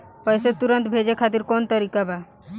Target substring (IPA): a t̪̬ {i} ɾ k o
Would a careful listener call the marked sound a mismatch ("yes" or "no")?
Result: no